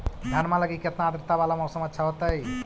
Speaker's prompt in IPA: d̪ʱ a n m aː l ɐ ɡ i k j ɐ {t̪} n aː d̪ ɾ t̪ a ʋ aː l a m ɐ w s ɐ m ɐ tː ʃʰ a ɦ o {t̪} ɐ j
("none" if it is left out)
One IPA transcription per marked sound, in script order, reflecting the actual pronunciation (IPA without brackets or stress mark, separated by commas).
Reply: t̪, t̪